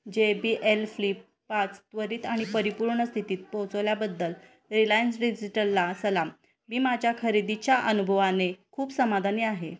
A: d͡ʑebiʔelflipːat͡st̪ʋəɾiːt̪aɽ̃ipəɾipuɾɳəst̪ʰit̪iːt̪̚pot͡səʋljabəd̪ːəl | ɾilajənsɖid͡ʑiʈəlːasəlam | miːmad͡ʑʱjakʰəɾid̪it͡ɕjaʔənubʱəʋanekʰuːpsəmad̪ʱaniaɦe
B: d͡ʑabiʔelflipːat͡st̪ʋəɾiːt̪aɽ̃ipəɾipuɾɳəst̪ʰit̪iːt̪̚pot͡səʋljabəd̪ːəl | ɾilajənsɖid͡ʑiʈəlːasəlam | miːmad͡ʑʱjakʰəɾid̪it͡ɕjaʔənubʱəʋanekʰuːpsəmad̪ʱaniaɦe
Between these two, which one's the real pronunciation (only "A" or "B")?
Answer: A